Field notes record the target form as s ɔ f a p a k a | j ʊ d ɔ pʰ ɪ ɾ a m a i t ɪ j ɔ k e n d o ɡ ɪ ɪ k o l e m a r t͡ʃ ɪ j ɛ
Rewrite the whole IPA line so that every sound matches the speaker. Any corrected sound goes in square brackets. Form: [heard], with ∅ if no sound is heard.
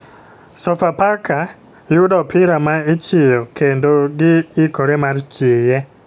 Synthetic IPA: s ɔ f a p a k a | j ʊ d ɔ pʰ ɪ ɾ a m a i [t͡ʃ] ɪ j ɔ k e n d o ɡ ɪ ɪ k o [ɾ] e m a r t͡ʃ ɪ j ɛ